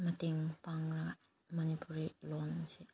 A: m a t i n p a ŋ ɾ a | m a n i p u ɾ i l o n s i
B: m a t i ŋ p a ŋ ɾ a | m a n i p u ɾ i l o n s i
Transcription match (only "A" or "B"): B